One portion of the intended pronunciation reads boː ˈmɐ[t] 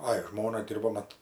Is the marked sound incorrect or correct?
correct